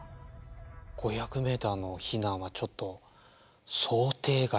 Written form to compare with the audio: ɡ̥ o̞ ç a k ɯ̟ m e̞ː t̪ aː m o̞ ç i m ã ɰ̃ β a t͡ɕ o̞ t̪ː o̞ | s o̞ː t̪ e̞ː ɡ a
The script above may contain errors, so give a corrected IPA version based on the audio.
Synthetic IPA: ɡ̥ o̞ ç a k ɯ̟ m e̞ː t̪ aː n o̞ ç i n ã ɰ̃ β a t͡ɕ o̞ t̪ː o̞ | s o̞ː t̪ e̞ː ɡ a